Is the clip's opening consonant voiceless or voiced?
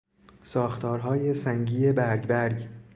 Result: voiceless